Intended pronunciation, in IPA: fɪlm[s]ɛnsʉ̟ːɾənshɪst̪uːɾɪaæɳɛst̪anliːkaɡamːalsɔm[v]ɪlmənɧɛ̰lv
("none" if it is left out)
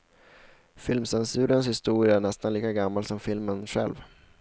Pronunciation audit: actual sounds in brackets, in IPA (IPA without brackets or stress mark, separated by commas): s, f